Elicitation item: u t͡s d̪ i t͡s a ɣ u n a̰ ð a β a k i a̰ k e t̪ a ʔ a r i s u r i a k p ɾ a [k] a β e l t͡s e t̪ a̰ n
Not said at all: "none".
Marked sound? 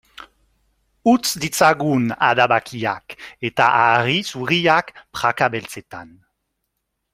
k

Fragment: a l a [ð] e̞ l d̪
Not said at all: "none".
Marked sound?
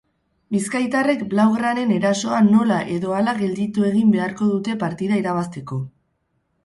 ɣ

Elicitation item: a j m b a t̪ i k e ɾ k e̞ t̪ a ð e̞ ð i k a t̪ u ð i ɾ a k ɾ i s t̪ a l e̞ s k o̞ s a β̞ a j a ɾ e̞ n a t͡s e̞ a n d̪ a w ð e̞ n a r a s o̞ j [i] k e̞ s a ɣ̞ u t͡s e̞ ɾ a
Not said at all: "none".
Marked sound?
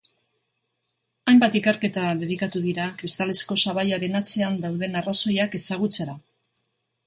a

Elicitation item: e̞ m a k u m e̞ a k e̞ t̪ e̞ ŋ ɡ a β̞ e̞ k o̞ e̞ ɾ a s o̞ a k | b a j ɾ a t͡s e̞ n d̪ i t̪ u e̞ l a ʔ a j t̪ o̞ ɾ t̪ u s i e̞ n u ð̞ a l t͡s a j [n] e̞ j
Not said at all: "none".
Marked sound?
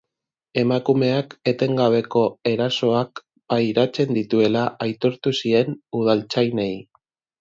n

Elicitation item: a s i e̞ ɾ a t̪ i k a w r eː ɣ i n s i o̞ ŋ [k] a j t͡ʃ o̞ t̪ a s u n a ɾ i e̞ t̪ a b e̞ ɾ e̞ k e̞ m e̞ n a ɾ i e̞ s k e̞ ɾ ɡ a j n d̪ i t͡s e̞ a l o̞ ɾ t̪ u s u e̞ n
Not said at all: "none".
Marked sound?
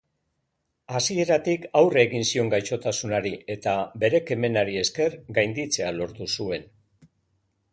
ɡ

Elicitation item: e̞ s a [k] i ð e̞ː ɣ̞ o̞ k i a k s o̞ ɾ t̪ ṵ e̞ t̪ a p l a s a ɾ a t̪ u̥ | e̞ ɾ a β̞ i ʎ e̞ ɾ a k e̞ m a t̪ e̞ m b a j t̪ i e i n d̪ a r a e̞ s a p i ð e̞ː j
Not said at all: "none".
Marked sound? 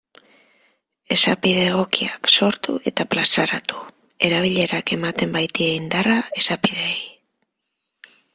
p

